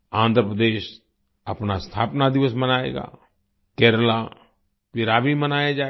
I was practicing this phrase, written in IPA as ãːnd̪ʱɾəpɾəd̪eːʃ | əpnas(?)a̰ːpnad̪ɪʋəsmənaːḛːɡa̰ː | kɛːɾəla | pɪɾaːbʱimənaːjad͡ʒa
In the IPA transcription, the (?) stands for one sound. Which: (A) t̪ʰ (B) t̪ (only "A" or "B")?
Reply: A